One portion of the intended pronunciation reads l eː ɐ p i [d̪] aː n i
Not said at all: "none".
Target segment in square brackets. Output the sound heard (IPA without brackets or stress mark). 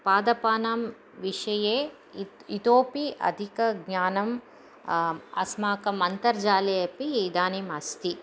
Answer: d̪